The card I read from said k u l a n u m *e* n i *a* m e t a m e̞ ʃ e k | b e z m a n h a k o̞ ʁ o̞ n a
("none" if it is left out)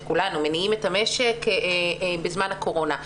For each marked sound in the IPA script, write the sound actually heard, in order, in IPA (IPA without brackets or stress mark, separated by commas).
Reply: e, i